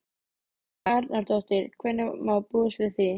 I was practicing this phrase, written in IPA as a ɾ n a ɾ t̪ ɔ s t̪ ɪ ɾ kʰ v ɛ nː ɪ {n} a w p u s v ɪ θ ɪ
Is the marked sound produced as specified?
no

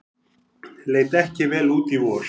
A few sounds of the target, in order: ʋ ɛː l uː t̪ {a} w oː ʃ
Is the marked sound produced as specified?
no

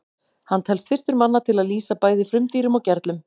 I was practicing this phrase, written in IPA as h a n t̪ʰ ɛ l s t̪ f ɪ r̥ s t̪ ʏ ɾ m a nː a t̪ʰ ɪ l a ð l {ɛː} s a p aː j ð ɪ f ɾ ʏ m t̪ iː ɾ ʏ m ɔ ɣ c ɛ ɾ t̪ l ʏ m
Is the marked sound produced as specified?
no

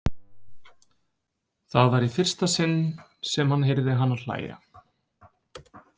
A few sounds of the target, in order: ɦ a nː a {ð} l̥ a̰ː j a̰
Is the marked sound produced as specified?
yes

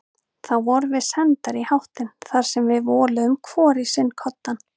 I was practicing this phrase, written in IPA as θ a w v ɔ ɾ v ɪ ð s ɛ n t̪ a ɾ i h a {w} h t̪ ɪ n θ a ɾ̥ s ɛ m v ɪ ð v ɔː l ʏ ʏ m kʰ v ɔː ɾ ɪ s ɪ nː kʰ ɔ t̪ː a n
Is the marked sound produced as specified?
yes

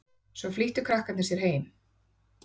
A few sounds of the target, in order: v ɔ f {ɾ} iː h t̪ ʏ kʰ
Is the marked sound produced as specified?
no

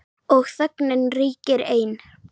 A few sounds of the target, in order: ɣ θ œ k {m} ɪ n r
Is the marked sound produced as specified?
no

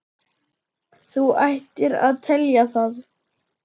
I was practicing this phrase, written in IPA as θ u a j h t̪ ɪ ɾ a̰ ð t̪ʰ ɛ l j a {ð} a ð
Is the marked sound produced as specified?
no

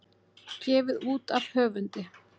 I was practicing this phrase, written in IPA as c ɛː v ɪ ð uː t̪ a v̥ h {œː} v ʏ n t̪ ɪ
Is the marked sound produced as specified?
yes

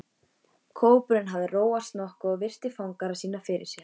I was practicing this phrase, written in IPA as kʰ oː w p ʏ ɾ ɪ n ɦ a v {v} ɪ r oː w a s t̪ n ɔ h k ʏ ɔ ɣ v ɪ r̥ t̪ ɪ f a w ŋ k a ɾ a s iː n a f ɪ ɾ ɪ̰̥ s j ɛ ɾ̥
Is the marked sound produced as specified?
no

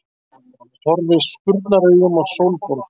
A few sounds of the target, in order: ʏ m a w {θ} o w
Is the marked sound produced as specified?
no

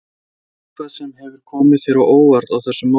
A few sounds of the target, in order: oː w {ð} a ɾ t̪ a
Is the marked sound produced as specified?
no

